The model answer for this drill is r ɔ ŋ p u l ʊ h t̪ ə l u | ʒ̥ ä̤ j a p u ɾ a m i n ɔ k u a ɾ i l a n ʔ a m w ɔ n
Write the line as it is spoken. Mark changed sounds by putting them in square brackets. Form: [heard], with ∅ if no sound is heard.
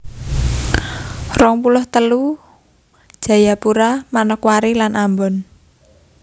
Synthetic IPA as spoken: r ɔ ŋ p u l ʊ h t̪ ə l u | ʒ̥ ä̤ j a p u ɾ a m [a] n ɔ k [w] a ɾ i l a n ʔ a m [b] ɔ n

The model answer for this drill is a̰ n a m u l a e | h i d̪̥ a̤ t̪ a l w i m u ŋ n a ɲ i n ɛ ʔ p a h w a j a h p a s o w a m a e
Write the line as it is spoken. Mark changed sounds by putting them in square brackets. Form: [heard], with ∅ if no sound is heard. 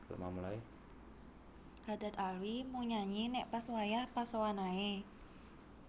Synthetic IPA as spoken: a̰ [m] a m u l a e | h [a] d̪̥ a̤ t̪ a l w i m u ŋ [ɲ] a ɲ i n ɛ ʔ p a [s] w a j a h p a s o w a [n] a e

